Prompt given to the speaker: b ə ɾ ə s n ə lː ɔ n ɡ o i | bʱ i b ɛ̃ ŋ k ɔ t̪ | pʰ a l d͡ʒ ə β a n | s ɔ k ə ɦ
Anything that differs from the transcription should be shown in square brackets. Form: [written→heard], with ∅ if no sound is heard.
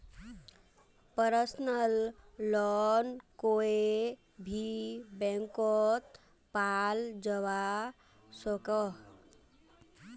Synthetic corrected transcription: [b→p] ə ɾ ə s n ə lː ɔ n [ɡ→k] o [i→e] | bʱ i b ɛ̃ ŋ k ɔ t̪ | [pʰ→p] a l d͡ʒ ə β a [n→∅] | s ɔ k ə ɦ

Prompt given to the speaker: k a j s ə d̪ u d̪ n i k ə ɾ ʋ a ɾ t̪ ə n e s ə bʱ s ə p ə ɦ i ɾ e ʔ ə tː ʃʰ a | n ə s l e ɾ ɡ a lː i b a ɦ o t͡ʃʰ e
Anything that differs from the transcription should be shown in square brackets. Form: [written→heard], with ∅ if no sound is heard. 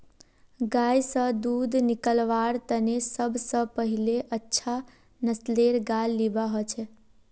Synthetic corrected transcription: [k→ɡ] a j s ə d̪ u d̪ n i k ə [ɾ→l] ʋ a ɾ t̪ ə n e s ə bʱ s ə p ə ɦ i [ɾ→l] e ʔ ə tː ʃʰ a | n ə s l e ɾ ɡ a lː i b a ɦ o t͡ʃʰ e

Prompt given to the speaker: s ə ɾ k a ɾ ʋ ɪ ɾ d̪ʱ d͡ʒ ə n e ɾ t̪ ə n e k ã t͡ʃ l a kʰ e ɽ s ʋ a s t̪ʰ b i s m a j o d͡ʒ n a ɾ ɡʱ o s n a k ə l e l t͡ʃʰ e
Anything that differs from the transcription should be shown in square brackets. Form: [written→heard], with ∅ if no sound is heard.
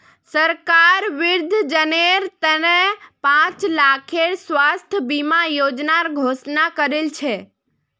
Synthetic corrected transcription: s ə ɾ k a ɾ ʋ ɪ ɾ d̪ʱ d͡ʒ ə n e ɾ t̪ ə n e [k→p] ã t͡ʃ l a kʰ e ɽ s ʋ a s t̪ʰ b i [s→∅] m a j o d͡ʒ n a ɾ ɡʱ o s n a k ə [l→ɾ] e l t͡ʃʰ e

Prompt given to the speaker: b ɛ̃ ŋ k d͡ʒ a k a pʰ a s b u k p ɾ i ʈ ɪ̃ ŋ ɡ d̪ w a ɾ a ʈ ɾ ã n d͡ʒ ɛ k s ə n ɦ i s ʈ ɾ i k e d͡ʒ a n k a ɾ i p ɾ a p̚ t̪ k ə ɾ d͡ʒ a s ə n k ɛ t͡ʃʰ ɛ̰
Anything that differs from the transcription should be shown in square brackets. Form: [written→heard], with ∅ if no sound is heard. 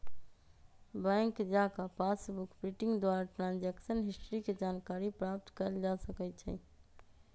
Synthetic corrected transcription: b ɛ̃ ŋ k d͡ʒ a k a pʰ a s b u k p ɾ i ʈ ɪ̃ ŋ ɡ d̪ w a ɾ a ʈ ɾ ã n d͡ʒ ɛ k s ə n ɦ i s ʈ ɾ i k e d͡ʒ a n k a ɾ i p ɾ a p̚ t̪ k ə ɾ d͡ʒ a s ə [n→∅] k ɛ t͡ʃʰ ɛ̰

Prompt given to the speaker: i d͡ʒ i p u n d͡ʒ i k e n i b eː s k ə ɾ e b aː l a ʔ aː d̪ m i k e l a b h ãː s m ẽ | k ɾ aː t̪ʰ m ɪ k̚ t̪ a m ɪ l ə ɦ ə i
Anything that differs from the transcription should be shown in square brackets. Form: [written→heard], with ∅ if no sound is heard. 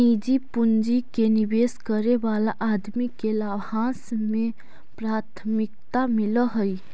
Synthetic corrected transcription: i d͡ʒ i p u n d͡ʒ i k e n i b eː s k ə ɾ e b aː l a ʔ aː d̪ m i k e l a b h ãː s m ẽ | [k→p] ɾ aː t̪ʰ m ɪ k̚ t̪ a m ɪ l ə ɦ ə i

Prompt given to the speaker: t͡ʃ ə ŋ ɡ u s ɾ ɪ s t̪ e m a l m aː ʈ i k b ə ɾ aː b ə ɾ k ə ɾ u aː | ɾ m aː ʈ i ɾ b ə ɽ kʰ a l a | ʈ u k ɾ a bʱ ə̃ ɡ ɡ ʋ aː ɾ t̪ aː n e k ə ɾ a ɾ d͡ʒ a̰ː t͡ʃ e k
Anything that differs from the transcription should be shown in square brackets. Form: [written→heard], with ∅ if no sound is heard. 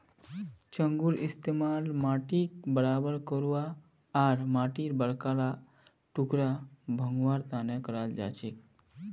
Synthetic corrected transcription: t͡ʃ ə ŋ ɡ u [s→∅] ɾ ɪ s t̪ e m a l m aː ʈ i k b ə ɾ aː b ə ɾ k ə ɾ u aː | ɾ m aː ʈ i ɾ b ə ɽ [kʰ→k] a l a | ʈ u k ɾ a bʱ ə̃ [ɡ→ŋ] ɡ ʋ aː ɾ t̪ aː n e k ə ɾ a [ɾ→l] d͡ʒ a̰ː t͡ʃ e k

